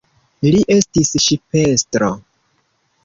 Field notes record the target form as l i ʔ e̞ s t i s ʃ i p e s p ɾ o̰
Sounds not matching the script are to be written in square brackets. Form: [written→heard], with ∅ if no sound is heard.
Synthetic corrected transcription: l i ʔ e̞ s t i s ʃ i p e s [p→t] ɾ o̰